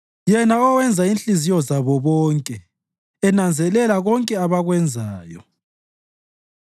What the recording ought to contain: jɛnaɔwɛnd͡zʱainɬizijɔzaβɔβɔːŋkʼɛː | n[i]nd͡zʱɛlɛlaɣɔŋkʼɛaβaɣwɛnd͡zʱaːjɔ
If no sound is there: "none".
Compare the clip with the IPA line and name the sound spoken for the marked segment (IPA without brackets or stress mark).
a